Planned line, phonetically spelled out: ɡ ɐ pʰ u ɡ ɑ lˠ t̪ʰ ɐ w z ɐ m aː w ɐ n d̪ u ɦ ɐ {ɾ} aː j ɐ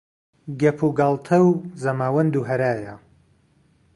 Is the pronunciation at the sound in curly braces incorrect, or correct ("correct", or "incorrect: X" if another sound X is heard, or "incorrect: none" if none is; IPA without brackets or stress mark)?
correct